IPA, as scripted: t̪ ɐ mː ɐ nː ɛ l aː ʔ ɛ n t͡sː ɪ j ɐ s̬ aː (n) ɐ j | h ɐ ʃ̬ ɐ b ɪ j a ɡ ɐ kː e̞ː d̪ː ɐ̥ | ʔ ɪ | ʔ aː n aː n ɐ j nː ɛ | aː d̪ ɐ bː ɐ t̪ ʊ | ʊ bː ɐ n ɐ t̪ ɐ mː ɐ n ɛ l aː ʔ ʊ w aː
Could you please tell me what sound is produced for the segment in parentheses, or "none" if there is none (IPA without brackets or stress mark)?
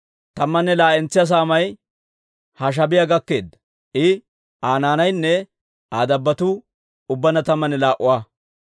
m